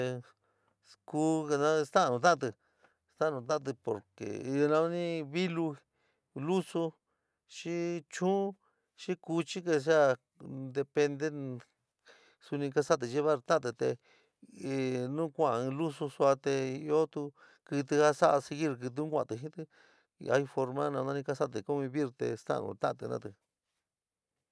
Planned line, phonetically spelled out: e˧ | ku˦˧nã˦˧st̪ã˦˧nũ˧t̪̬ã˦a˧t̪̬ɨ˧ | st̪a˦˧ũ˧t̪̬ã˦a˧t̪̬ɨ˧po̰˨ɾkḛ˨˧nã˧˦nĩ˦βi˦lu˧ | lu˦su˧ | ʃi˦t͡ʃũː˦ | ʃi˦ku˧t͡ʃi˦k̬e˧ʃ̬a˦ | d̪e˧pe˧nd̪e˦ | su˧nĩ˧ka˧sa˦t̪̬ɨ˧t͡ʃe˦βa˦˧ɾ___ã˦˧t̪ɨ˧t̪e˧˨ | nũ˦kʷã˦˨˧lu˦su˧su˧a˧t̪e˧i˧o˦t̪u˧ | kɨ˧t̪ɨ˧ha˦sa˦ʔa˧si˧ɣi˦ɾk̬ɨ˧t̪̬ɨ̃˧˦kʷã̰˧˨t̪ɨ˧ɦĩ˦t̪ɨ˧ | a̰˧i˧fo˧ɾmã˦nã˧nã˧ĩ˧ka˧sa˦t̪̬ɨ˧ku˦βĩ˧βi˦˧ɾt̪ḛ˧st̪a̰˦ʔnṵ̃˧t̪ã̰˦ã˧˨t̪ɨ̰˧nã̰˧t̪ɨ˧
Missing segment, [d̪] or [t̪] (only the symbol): t̪